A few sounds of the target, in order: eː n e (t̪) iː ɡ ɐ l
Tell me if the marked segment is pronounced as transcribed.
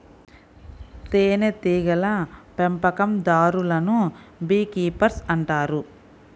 yes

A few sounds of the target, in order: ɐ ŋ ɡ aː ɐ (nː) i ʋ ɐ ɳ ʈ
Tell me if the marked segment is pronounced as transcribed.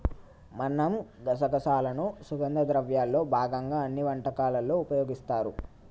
yes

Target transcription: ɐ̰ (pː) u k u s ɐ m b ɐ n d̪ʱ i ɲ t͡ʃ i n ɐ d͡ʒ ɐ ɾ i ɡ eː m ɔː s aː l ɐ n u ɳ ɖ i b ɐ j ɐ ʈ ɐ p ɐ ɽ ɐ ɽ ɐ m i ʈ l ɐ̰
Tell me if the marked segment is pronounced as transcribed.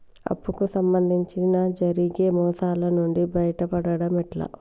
yes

